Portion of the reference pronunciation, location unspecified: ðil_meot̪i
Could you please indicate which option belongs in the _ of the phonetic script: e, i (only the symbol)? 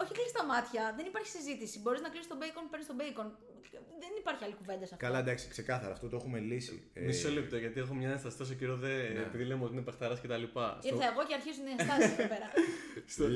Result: e